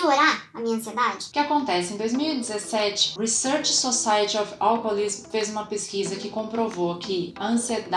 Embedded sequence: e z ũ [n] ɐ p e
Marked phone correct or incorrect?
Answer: incorrect